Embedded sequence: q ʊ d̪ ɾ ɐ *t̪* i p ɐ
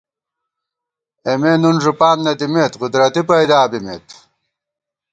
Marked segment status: correct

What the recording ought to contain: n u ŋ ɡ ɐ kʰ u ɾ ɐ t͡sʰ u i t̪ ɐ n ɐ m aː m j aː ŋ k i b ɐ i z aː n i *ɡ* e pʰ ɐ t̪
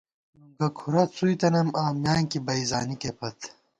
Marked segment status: incorrect: k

